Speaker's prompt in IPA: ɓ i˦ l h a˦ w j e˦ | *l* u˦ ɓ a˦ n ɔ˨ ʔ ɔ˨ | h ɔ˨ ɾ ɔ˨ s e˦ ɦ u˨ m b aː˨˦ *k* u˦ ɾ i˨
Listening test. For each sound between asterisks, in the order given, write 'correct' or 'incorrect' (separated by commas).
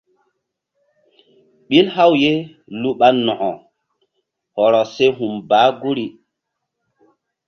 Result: correct, incorrect